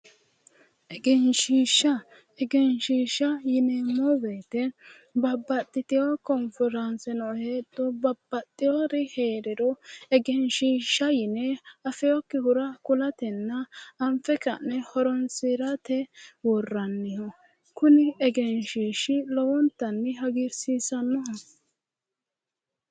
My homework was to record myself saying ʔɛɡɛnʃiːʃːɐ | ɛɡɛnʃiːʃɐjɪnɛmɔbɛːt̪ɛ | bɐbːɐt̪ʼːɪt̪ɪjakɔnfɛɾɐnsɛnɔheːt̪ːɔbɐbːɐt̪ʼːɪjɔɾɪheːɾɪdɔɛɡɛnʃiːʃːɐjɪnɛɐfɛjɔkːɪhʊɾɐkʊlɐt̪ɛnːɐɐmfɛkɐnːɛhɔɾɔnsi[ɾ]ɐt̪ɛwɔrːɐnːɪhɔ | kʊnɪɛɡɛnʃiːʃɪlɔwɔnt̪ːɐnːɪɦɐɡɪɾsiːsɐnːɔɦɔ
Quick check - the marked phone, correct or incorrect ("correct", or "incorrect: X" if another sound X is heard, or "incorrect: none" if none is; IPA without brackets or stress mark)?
correct